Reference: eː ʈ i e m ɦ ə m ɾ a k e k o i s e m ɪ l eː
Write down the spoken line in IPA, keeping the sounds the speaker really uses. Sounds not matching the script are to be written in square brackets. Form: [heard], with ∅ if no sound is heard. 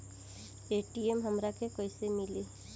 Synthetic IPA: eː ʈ i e m ɦ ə m ɾ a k e k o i s e m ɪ l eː

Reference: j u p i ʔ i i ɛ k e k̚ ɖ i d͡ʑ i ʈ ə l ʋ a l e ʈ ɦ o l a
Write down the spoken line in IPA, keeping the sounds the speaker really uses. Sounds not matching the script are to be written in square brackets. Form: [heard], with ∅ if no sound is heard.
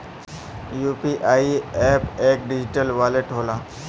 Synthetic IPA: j u p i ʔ [a] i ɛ [p] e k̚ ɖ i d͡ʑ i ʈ ə l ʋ a l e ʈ ɦ o l a

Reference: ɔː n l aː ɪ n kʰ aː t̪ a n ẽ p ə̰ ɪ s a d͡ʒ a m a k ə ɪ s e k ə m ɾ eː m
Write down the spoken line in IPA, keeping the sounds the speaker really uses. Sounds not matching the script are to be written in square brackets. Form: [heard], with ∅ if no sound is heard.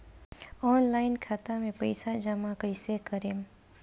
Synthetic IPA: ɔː n l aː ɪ n kʰ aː t̪ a [m] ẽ p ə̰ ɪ s a d͡ʒ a m a k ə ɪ s e k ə [∅] ɾ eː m

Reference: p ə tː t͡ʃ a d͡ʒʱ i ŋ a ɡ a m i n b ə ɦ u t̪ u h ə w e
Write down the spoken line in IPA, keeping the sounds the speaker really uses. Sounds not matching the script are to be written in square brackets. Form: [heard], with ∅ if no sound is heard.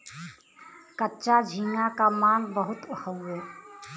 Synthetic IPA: [k] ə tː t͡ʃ a d͡ʒʱ i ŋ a [k] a m [a] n b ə ɦ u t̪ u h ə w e

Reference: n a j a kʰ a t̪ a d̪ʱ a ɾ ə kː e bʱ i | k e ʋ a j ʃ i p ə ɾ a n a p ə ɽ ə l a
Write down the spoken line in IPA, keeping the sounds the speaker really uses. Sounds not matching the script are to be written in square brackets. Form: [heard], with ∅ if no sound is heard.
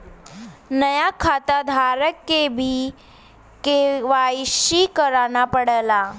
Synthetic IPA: n [ə] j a kʰ a t̪ a d̪ʱ a ɾ ə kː e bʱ i | k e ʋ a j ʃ i [k] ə ɾ a n a p ə ɽ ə l a

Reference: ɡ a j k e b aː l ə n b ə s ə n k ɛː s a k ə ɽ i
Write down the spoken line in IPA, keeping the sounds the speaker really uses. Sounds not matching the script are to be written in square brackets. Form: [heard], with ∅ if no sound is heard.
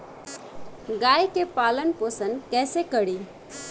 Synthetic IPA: ɡ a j k e [p] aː l ə n [p] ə s ə n k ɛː s [e] k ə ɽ i

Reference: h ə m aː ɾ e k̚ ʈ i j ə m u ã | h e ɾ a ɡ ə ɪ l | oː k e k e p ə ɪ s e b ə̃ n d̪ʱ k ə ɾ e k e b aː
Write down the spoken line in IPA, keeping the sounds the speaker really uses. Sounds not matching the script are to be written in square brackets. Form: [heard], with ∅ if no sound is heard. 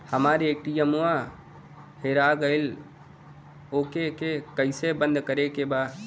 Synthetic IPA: h ə m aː ɾ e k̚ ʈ i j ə m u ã | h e ɾ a ɡ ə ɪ l | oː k e k e [k] ə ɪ s e b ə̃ n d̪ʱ k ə ɾ e k e b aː

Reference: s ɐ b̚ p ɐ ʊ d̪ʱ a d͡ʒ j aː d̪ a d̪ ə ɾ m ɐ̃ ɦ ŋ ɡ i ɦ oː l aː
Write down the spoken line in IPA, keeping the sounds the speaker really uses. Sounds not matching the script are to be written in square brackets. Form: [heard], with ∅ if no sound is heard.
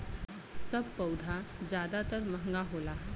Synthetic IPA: s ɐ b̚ p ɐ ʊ d̪ʱ a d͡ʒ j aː d̪ a [t̪] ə ɾ m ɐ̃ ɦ ŋ ɡ [a] ɦ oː l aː

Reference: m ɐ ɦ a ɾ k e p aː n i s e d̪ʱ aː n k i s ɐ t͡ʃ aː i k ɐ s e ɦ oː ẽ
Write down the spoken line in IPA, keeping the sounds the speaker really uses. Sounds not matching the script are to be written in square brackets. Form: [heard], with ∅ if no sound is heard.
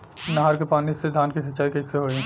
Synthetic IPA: [n] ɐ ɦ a ɾ k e p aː n i s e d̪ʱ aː n k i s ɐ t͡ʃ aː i k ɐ s e ɦ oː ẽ

